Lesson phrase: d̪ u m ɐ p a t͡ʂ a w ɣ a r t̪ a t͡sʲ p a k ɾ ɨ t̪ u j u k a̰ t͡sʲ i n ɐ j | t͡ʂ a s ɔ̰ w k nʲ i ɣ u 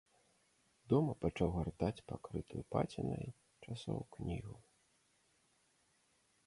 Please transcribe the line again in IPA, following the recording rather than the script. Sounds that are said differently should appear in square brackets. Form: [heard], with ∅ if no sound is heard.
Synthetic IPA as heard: d̪ [ɔ] m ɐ p a t͡ʂ a w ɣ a r t̪ a t͡sʲ p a k ɾ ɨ t̪ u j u [p] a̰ t͡sʲ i n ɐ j | t͡ʂ a s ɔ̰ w k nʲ i ɣ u

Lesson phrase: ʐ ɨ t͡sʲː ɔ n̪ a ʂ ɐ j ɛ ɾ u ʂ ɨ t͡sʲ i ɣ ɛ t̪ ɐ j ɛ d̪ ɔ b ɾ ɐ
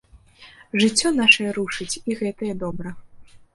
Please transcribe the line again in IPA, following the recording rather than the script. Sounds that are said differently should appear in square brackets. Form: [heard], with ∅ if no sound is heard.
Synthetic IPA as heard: ʐ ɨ t͡sʲː ɔ n̪ a ʂ ɐ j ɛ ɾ u ʂ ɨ t͡sʲ i ɣ ɛ t̪ ɐ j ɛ d̪ ɔ b ɾ ɐ

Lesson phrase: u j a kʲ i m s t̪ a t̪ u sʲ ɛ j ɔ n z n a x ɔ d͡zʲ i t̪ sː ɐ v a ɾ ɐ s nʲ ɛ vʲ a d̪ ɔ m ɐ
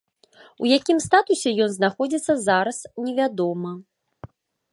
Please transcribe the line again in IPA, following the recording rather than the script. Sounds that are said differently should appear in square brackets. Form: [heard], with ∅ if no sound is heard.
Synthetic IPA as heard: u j a kʲ i m s t̪ a t̪ u sʲ ɛ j ɔ n z n a x ɔ d͡zʲ i t̪ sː ɐ [z] a ɾ ɐ s nʲ ɛ vʲ a d̪ ɔ m ɐ

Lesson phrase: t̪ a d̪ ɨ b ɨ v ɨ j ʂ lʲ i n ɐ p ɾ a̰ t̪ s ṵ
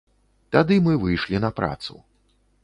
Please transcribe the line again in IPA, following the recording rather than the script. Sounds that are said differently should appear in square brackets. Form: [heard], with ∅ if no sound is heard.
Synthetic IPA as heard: t̪ a d̪ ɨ [m] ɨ v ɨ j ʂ lʲ i n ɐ p ɾ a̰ t̪ s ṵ

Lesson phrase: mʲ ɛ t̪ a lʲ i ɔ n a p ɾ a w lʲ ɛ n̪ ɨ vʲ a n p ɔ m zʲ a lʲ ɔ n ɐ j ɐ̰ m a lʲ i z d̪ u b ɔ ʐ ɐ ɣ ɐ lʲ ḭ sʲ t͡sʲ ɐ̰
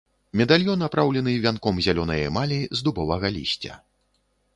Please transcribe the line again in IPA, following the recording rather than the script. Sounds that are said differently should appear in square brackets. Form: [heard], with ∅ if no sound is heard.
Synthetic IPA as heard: mʲ ɛ [d̪] a lʲ [j] ɔ n a p ɾ a w lʲ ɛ n̪ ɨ vʲ a n [k] ɔ m zʲ a lʲ ɔ n ɐ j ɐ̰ m a lʲ i z d̪ u b ɔ [v] ɐ ɣ ɐ lʲ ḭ sʲ t͡sʲ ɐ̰

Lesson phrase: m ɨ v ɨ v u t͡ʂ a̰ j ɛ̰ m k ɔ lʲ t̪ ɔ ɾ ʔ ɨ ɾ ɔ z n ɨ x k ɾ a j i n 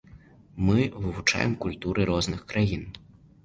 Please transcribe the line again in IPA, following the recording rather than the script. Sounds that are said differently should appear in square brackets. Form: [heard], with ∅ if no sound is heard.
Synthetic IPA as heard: m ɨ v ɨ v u t͡ʂ a̰ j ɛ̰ m k [u] lʲ t̪ [u] ɾ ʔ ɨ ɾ ɔ z n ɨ x k ɾ a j i n

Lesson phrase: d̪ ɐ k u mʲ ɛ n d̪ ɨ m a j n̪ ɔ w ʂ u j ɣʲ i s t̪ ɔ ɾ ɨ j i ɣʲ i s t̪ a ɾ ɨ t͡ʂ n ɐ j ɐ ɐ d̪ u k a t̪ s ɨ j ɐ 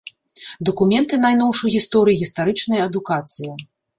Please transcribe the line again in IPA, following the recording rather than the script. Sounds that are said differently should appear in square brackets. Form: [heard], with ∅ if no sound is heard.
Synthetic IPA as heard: d̪ ɐ k u mʲ ɛ n [t̪] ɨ [n] a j n̪ ɔ w ʂ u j ɣʲ i s t̪ ɔ ɾ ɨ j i ɣʲ i s t̪ a ɾ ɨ t͡ʂ n ɐ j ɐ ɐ d̪ u k a t̪ s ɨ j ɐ

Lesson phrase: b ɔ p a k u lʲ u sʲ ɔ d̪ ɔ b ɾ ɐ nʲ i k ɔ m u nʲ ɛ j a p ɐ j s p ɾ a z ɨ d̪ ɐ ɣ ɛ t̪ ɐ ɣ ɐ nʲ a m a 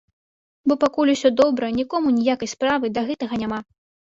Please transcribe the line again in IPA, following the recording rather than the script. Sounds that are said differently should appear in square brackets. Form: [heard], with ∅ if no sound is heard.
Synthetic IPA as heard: b ɔ p a k u lʲ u sʲ ɔ d̪ ɔ b ɾ ɐ nʲ i k ɔ m u nʲ [i] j a [k] ɐ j s p ɾ a [v] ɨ d̪ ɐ ɣ ɛ t̪ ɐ ɣ ɐ nʲ a m a

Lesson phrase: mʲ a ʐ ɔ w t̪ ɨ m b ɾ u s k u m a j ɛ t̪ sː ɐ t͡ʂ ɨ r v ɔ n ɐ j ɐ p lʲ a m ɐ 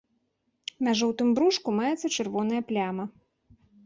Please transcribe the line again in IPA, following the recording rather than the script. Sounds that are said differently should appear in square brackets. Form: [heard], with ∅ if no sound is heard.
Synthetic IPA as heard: mʲ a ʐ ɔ w t̪ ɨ m b ɾ u [ʂ] k u m a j ɛ t̪ sː ɐ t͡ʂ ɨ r v ɔ n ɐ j ɐ p lʲ a m ɐ

